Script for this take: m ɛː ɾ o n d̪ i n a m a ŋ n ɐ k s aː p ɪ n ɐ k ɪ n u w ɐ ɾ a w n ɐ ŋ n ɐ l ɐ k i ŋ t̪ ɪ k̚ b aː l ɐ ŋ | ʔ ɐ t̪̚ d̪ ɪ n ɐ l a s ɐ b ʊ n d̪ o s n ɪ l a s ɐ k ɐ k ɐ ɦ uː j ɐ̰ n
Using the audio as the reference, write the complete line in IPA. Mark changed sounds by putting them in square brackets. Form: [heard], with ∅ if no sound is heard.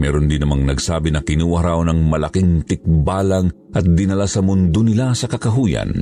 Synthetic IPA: m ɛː ɾ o n d̪ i n [ɐ] m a ŋ n ɐ [ɡ] s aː [b] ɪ n ɐ k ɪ n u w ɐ ɾ a w n ɐ ŋ [m] ɐ l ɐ k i ŋ t̪ ɪ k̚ b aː l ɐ ŋ | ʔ ɐ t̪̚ d̪ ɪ n ɐ l a s ɐ [m] ʊ n d̪ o [∅] n ɪ l a s ɐ k ɐ k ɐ ɦ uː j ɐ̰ n